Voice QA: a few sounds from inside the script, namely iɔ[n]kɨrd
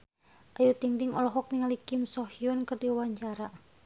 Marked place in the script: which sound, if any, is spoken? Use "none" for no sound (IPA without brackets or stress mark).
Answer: n